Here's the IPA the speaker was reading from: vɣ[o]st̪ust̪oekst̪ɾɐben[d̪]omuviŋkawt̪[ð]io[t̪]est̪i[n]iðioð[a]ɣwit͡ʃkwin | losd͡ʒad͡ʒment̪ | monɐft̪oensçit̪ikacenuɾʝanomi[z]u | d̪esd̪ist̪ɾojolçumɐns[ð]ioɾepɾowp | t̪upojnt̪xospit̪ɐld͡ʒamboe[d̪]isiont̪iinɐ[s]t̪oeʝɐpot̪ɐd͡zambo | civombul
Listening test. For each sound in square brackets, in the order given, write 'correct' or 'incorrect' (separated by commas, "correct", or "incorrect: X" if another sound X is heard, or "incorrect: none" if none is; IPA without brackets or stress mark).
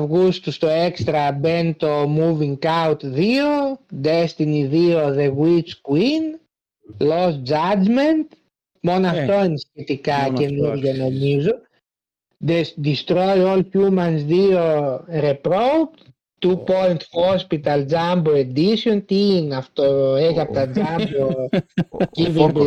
incorrect: u, incorrect: t̪, correct, incorrect: d̪, correct, incorrect: e, correct, correct, correct, incorrect: f